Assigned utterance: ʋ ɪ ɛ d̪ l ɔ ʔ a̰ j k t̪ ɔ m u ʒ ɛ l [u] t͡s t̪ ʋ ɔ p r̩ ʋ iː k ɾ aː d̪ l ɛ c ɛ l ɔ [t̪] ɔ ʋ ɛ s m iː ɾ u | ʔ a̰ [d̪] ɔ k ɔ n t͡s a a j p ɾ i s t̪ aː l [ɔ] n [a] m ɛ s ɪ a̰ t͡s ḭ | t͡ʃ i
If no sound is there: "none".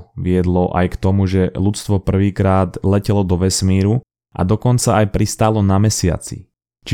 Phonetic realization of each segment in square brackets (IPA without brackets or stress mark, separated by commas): u, d̪, d̪, ɔ, a